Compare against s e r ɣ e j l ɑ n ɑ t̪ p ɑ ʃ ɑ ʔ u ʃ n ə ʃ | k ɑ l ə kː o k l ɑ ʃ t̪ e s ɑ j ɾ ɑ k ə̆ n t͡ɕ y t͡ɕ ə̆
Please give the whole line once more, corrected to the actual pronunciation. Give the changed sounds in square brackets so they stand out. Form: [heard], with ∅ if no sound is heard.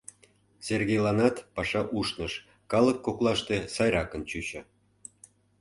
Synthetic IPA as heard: s e r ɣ e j l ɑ n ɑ t̪ p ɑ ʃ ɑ ʔ u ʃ n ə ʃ | k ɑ l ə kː o k l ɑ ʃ t̪ e s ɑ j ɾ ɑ k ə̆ n t͡ɕ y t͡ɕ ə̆